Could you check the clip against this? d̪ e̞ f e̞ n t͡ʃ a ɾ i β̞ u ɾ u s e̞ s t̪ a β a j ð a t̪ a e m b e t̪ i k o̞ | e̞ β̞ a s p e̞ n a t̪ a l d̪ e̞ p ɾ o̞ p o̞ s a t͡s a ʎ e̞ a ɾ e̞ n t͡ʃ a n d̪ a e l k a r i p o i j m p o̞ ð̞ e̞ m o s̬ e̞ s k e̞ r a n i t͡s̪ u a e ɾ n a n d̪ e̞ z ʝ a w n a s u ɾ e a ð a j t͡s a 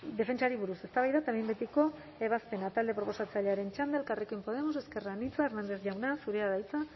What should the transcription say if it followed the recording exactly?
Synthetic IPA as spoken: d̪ e̞ f e̞ n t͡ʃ a ɾ i β̞ u ɾ u s e̞ s t̪ a β a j ð a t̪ a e m b e t̪ i k o̞ | e̞ β̞ a s p e̞ n a t̪ a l d̪ e̞ p ɾ o̞ p o̞ s a t͡s a ʎ e̞ a ɾ e̞ n t͡ʃ a n d̪ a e l k a r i k o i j m p o̞ ð̞ e̞ m o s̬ e̞ s k e̞ r a n i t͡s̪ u a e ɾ n a n d̪ e̞ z ʝ a w n a s u ɾ e a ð a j t͡s a

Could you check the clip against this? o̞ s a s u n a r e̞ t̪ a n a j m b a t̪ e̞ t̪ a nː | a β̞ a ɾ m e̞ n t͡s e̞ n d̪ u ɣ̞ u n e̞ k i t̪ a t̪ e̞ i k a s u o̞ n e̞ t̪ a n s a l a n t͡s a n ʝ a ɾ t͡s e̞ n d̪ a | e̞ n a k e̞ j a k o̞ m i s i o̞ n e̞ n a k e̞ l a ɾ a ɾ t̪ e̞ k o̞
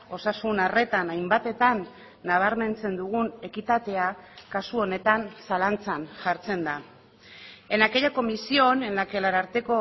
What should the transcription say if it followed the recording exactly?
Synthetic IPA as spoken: o̞ s a s u n a r e̞ t̪ a n a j m b a t̪ e̞ t̪ a nː | a β̞ a ɾ m e̞ n t͡s e̞ n d̪ u ɣ̞ u n e̞ k i t̪ a t̪ e̞ a k a s u o̞ n e̞ t̪ a n s a l a n t͡s a n ʝ a ɾ t͡s e̞ n d̪ a | e̞ n a k e̞ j a k o̞ m i s i o̞ n e̞ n a k e̞ l a ɾ a ɾ t̪ e̞ k o̞

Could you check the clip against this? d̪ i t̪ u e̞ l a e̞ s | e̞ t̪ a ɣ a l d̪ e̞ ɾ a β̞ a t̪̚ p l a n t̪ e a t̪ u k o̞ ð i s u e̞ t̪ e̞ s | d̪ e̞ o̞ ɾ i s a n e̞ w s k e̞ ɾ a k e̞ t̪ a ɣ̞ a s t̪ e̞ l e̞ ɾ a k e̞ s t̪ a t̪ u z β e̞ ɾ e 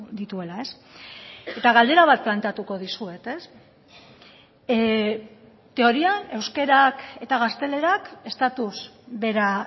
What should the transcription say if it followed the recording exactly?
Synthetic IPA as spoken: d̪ i t̪ u e̞ l a e̞ s | e̞ t̪ a ɣ a l d̪ e̞ ɾ a β̞ a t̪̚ p l a n t̪ e a t̪ u k o̞ ð i s u e̞ t̪ e̞ s | t̪ e̞ o̞ ɾ i a n e̞ w s k e̞ ɾ a k e̞ t̪ a ɣ̞ a s t̪ e̞ l e̞ ɾ a k e̞ s t̪ a t̪ u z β e̞ ɾ a

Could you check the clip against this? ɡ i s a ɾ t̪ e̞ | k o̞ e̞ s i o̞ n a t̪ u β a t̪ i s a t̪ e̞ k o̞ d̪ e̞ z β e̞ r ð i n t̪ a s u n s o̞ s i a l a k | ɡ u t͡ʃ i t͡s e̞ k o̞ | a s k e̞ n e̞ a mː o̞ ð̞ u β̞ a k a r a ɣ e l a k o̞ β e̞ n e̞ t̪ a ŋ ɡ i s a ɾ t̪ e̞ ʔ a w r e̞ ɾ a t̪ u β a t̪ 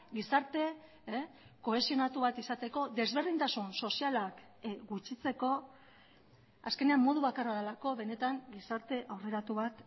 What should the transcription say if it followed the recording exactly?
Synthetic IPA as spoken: ɡ i s a ɾ t̪ e̞ | k o̞ e̞ s i o̞ n a t̪ u β a t̪ i s a t̪ e̞ k o̞ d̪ e̞ z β e̞ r ð i n t̪ a s u n s o̞ s i a l a k | ɡ u t͡ʃ i t͡s e̞ k o̞ | a s k e̞ n e̞ a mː o̞ ð̞ u β̞ a k a r a ð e l a k o̞ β e̞ n e̞ t̪ a ŋ ɡ i s a ɾ t̪ e̞ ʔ a w r e̞ ɾ a t̪ u β a t̪

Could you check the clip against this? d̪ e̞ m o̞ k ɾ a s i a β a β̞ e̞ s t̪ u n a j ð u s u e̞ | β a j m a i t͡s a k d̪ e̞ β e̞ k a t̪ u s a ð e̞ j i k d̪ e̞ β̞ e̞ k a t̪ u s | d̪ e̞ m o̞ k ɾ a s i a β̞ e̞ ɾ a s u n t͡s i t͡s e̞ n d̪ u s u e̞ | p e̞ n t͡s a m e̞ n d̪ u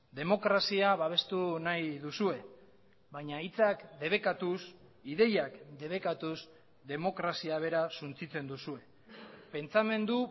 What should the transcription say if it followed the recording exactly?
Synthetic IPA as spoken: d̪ e̞ m o̞ k ɾ a s i a β a β̞ e̞ s t̪ u n a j ð u s u e̞ | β a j ɲ a i t͡s a k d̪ e̞ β e̞ k a t̪ u s i ð e̞ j a k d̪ e̞ β̞ e̞ k a t̪ u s | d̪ e̞ m o̞ k ɾ a s i a β̞ e̞ ɾ a s u n t͡s i t͡s e̞ n d̪ u s u e̞ | p e̞ n t͡s a m e̞ n d̪ u

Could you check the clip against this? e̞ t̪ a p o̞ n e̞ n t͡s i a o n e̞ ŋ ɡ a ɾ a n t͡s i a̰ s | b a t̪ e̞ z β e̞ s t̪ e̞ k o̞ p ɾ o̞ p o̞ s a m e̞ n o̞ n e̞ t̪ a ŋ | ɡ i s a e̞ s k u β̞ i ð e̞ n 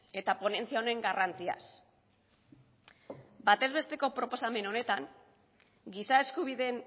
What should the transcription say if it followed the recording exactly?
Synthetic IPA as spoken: e̞ t̪ a p o̞ n e̞ n t͡s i a o n e̞ ŋ ɡ a r a n t͡s i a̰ s | b a t̪ e̞ z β e̞ s t̪ e̞ k o̞ p ɾ o̞ p o̞ s a m e̞ n o̞ n e̞ t̪ a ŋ | ɡ i s a e̞ s k u β̞ i ð e̞ n

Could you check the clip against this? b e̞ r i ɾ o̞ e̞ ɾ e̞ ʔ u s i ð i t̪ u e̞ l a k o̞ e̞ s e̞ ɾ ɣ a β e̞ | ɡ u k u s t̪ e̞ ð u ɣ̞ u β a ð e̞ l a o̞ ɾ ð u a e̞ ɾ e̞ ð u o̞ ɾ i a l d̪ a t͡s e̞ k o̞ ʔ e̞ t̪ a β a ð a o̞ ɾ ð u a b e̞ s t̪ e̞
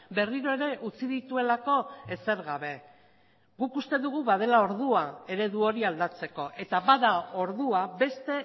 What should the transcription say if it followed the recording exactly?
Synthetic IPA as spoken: b e̞ r i ɾ o̞ e̞ ɾ e̞ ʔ u t͡s i ð i t̪ u e̞ l a k o̞ e̞ s e̞ ɾ ɣ a β e̞ | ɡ u k u s t̪ e̞ ð u ɣ̞ u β a ð e̞ l a o̞ ɾ ð u a e̞ ɾ e̞ ð u o̞ ɾ i a l d̪ a t͡s e̞ k o̞ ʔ e̞ t̪ a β a ð a o̞ ɾ ð u a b e̞ s t̪ e̞

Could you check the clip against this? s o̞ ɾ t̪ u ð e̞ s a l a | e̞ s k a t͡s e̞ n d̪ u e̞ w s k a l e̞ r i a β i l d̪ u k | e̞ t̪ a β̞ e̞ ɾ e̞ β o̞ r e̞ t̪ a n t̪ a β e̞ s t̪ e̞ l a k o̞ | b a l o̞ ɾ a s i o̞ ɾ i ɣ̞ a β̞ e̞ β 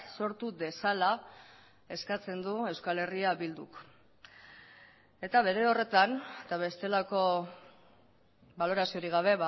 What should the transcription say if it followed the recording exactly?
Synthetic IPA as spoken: s o̞ ɾ t̪ u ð e̞ s a l a | e̞ s k a t͡s e̞ n d̪ u e̞ w s k a l e̞ r i a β i l d̪ u k | e̞ t̪ a β̞ e̞ ɾ e̞ o̞ r e̞ t̪ a n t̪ a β e̞ s t̪ e̞ l a k o̞ | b a l o̞ ɾ a s i o̞ ɾ i ɣ̞ a β̞ e̞ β

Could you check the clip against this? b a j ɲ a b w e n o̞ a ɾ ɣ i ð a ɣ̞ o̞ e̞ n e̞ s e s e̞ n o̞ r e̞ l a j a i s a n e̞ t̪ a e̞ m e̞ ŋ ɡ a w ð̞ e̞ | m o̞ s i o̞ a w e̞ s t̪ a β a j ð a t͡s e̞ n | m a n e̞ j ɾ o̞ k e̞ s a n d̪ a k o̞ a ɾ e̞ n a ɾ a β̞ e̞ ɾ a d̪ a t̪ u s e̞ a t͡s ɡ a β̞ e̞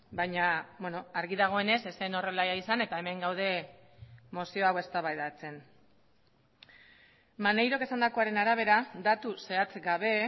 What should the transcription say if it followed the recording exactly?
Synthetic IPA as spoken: b a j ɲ a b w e n o̞ a ɾ ɣ i ð a ɣ̞ o̞ e̞ n e̞ s e s e̞ n o̞ r e̞ l a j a i s a n e̞ t̪ a e̞ m e̞ ŋ ɡ a w ð̞ e̞ | m o̞ s i o̞ a w e̞ s t̪ a β a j ð a t͡s e̞ n | m a n e̞ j ɾ o̞ k e̞ s a n d̪ a k o̞ a ɾ e̞ n a ɾ a β̞ e̞ ɾ a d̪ a t̪ u s e̞ a t͡s ɡ a β̞ e̞

